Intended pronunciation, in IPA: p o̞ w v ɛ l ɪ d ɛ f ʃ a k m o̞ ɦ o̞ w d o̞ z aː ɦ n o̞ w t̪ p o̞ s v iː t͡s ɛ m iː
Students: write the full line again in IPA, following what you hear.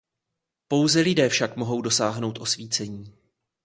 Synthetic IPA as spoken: p o̞ w z ɛ l ɪ d ɛː f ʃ a k m o̞ ɦ o̞ w d o̞ s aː ɦ n o̞ w t̪ ʔ o̞ s v iː t͡s ɛ ɲ iː